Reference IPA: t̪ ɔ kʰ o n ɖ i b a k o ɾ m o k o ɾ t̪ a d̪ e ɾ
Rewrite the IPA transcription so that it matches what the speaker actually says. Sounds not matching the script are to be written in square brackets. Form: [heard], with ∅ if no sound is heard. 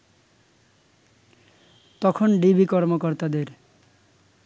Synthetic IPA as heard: t̪ ɔ kʰ o n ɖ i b [i] k [ɔ] ɾ m o k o ɾ t̪ a d̪ e ɾ